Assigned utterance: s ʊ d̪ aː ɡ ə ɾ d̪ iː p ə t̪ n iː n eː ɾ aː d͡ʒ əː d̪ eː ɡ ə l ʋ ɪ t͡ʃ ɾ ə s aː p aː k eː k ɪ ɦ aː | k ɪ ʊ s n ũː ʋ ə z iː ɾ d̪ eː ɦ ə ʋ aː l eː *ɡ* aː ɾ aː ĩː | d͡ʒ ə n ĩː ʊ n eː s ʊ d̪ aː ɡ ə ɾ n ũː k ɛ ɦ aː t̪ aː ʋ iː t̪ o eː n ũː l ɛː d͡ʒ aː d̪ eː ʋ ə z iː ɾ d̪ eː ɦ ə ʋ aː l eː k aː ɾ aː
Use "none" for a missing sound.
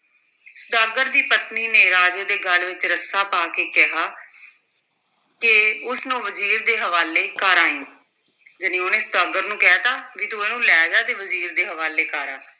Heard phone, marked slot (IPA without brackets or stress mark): k